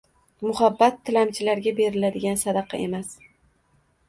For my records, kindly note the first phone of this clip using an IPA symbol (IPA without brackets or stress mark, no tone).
m